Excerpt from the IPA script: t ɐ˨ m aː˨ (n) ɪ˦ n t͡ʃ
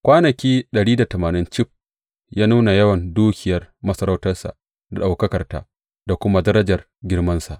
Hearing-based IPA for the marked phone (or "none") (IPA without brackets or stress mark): n